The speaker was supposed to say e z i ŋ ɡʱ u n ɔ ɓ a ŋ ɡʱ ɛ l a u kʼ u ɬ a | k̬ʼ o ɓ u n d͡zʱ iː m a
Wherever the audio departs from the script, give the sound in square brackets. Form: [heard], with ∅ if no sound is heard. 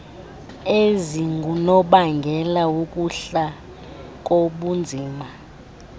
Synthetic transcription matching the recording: e z i ŋ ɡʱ u n ɔ ɓ a ŋ ɡʱ ɛ l a u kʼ u ɬ a | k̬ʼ o ɓ u n d͡zʱ iː m a